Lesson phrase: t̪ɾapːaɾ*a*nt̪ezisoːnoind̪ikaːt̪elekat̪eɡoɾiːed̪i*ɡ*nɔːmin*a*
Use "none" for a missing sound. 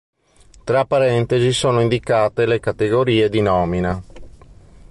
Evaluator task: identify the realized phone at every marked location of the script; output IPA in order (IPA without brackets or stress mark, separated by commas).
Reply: ɛ, none, a